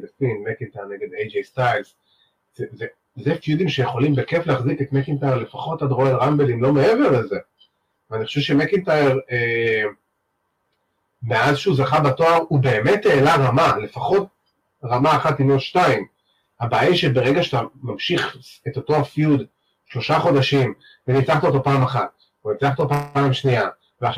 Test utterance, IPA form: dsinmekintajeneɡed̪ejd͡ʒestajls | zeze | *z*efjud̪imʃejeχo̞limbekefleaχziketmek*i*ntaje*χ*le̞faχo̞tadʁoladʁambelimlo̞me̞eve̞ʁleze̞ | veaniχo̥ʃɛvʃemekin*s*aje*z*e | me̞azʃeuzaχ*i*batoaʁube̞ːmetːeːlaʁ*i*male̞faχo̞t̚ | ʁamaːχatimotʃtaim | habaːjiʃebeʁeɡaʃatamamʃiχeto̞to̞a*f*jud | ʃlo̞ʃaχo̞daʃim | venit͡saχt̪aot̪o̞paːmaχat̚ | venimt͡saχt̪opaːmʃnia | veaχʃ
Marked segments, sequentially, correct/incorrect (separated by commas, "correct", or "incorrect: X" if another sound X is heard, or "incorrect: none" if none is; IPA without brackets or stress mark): correct, correct, incorrect: ʁ, incorrect: t, incorrect: ʁ, incorrect: a, incorrect: a, correct